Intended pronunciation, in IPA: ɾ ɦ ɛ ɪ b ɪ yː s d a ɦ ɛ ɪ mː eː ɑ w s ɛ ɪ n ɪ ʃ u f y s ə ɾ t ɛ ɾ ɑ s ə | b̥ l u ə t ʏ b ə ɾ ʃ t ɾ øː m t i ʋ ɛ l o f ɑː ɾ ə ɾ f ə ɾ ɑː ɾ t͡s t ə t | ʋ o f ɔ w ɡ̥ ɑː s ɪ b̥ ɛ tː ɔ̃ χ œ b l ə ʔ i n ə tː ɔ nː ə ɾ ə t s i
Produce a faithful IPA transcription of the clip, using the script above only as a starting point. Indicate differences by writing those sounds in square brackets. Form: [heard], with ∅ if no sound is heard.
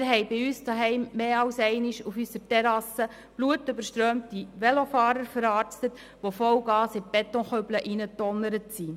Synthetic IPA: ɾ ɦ ɛ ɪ b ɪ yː s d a ɦ ɛ ɪ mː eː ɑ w s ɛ ɪ n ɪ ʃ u f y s ə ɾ t ɛ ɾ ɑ s ə | b̥ l u ə t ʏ b ə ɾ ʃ t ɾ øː m t i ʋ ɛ l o f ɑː ɾ ə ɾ f ə ɾ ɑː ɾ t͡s t ə t | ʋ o f ɔ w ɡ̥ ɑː s ɪ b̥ ɛ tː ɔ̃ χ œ b l ə ʔ i n ə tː ɔ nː ə ɾ ə t s i